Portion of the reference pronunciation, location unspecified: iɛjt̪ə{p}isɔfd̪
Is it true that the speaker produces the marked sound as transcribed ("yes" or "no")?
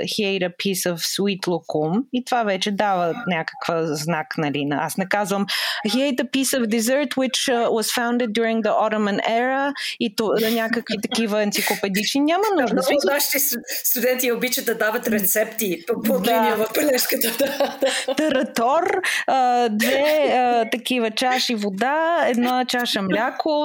yes